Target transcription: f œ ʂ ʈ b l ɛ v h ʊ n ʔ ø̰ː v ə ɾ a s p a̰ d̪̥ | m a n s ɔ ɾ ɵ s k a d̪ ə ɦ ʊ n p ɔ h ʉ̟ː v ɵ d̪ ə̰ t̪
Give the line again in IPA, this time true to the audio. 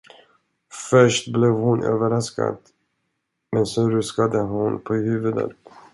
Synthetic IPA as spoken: f œ ʂ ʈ b l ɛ v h ʊ n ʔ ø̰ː v ə ɾ a s k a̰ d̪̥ | m ɛ n s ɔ ɾ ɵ s k a d̪ ə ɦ ʊ n pʰ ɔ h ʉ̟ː v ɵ d̪ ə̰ t̪